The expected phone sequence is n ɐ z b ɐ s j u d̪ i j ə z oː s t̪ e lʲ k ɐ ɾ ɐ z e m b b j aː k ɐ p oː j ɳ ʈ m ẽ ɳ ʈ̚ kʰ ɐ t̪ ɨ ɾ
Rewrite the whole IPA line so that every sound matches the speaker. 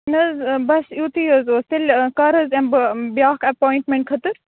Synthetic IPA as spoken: n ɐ z b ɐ s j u t̪ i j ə z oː s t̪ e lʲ k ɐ ɾ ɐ z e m b b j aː k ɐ p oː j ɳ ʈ m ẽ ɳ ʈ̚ kʰ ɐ t̪ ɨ ɾ